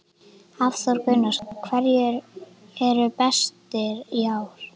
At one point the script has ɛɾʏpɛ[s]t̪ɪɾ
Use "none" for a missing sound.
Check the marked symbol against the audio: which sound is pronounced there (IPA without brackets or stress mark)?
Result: s